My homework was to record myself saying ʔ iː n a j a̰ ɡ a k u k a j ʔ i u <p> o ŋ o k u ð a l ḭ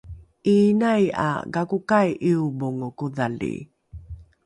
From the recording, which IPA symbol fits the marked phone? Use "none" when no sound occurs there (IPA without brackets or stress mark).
b